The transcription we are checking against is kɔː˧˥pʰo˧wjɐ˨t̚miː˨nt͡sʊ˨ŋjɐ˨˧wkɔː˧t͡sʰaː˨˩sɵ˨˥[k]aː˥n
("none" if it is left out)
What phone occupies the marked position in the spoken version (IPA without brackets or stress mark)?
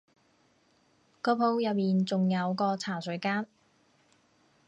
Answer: k